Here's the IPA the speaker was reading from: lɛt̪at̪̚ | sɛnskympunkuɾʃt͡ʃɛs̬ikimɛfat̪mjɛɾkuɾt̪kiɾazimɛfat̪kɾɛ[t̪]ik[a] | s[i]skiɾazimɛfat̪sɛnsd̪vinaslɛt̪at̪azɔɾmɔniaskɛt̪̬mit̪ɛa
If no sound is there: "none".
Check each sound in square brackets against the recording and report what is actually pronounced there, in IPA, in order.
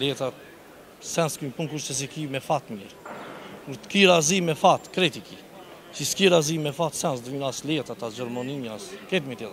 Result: t̪, i, i

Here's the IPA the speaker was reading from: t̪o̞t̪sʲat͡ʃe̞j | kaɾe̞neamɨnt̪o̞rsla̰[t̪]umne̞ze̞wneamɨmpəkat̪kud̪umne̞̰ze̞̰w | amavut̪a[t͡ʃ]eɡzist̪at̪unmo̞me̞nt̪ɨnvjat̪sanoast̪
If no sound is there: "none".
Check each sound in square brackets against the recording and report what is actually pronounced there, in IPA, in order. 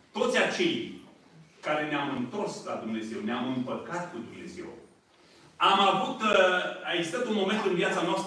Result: d̪, none

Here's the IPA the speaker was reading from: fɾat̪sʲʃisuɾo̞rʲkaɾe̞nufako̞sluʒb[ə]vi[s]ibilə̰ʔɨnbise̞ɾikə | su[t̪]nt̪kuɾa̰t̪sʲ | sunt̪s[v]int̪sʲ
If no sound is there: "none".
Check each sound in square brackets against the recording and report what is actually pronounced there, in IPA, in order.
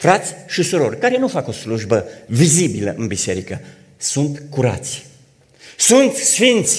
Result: ə, z, none, f

